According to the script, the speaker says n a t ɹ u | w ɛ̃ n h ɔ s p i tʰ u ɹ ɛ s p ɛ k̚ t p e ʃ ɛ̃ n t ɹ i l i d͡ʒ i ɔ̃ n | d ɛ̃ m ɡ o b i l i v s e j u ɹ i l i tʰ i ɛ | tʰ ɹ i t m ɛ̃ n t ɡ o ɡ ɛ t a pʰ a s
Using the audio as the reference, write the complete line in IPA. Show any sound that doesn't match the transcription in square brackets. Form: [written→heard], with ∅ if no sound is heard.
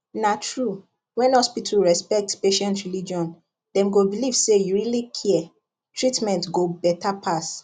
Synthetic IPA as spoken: n a t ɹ u | w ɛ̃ n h ɔ s p i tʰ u ɹ ɛ s p ɛ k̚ t p e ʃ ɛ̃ n t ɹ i l i d͡ʒ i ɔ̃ n | d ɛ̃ m ɡ o b i l i v s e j u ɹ i l i [tʰ→kʰ] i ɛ | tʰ ɹ i t m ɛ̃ n t ɡ o [ɡ→b] ɛ t a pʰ a s